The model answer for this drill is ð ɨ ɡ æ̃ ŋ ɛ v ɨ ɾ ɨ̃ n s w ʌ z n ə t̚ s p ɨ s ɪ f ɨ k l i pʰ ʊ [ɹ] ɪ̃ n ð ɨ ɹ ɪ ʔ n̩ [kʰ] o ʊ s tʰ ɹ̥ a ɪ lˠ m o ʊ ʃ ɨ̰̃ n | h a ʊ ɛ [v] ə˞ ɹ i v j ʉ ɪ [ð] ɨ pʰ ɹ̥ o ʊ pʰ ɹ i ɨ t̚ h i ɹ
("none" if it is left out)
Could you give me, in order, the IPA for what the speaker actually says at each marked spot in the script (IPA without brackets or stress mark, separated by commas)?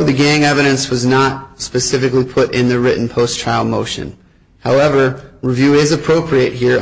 ɾ, pʰ, v, z